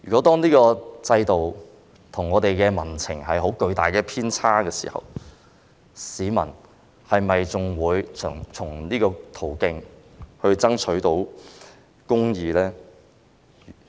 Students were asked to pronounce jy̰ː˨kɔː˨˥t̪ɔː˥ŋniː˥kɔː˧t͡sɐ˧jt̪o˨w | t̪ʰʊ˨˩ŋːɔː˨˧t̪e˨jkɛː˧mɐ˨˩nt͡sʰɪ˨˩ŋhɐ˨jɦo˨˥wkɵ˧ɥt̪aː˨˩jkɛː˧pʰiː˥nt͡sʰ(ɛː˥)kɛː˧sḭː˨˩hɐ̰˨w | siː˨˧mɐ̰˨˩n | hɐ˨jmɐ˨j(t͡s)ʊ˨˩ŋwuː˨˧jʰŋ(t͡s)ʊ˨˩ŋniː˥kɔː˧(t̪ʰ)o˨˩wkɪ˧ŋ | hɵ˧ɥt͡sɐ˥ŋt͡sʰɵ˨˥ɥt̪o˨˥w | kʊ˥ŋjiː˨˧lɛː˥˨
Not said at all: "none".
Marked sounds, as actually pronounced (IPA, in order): aː˥, t͡s, t͡sʰ, t̪ʰ

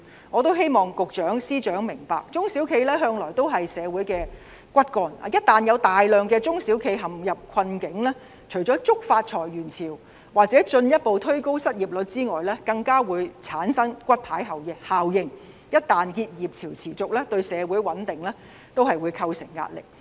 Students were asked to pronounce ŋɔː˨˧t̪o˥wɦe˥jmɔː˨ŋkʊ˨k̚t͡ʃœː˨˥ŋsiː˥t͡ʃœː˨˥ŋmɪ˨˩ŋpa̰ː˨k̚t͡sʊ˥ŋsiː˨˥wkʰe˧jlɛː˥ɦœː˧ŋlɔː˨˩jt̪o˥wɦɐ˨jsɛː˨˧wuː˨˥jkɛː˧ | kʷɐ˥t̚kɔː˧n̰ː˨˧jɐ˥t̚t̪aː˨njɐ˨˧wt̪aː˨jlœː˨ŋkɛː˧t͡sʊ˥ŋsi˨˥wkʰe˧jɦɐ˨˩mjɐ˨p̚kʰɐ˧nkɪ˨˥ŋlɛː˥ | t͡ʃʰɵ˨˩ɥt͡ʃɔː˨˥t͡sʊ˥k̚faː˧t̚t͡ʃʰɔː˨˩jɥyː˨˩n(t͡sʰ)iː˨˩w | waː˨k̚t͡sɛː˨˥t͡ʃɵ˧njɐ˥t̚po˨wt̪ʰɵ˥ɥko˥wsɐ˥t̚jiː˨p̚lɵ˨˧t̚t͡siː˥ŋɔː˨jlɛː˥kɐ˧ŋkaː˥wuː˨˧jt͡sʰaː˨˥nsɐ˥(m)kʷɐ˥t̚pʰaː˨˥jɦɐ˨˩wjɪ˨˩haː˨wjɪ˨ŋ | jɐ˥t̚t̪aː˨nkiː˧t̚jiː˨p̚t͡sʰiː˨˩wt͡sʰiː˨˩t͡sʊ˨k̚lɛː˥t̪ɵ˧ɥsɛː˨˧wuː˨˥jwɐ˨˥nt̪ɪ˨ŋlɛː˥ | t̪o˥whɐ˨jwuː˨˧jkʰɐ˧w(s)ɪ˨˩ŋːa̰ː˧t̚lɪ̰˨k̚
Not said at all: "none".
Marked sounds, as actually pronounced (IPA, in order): t͡sʰ, ŋ, s

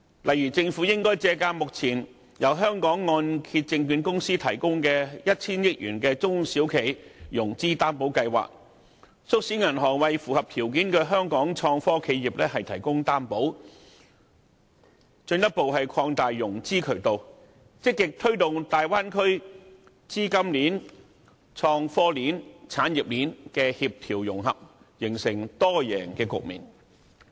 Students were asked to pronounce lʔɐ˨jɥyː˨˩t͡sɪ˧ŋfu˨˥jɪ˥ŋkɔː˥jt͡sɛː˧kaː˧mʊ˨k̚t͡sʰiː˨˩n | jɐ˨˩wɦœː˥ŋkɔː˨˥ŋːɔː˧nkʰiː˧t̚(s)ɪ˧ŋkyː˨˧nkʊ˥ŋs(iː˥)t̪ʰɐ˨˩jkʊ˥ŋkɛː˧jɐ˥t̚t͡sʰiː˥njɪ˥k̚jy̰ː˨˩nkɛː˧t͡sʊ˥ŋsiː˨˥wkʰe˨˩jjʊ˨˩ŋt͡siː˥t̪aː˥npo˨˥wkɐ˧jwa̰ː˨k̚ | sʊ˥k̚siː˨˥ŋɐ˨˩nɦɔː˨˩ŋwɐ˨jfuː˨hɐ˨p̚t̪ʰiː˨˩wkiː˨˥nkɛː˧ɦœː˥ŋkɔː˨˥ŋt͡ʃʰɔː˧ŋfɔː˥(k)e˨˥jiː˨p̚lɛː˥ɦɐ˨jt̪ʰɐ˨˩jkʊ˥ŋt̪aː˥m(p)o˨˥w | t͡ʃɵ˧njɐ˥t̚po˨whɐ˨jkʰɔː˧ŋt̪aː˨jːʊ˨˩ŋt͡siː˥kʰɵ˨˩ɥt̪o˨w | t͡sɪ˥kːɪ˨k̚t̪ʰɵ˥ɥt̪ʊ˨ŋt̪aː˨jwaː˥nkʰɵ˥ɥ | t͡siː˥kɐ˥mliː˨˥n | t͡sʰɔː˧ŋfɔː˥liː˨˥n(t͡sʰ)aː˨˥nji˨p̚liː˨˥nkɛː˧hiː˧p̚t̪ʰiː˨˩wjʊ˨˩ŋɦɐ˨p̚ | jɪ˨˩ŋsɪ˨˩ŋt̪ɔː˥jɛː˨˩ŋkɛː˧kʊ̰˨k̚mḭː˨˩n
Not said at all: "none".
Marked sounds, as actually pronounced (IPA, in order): t͡s, iː˥, kʰ, p, t͡sʰ

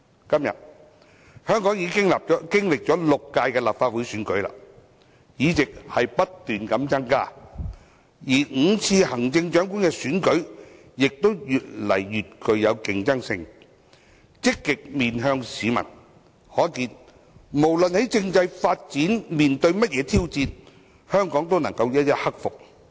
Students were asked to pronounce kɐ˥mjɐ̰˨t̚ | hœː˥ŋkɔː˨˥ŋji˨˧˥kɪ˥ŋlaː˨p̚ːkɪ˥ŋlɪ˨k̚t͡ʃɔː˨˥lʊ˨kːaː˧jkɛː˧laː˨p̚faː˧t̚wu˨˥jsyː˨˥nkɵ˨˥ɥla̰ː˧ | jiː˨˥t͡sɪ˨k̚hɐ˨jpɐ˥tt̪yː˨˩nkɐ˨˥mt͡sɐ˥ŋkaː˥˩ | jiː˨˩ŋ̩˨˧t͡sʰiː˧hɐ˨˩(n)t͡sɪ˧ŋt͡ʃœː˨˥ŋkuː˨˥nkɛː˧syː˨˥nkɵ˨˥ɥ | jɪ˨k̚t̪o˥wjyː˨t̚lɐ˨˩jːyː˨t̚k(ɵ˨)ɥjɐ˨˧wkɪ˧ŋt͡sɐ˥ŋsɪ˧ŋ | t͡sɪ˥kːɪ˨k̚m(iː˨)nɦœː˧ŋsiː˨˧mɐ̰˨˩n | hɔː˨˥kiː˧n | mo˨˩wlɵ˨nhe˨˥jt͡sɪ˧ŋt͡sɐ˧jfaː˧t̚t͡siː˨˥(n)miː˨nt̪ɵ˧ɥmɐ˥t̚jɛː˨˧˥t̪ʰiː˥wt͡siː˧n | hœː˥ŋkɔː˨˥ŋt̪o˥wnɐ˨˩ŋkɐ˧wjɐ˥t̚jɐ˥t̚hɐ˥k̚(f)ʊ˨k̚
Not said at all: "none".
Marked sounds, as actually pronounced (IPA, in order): ŋ, ɵ˨, iː˨, n, f

